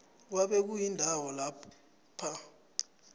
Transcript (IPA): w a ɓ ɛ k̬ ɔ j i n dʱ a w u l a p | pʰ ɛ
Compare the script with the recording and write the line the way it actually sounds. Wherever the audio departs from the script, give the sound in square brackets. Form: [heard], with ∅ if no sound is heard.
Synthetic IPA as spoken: w a ɓ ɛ k̬ [u] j i n dʱ a w [ɔ] l a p | pʰ [a]